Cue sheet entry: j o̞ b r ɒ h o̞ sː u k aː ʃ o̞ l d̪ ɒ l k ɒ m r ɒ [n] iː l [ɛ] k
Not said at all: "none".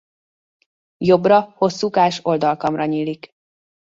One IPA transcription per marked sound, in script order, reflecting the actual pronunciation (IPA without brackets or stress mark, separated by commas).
ɲ, i